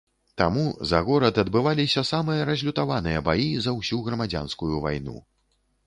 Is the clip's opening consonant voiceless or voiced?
voiceless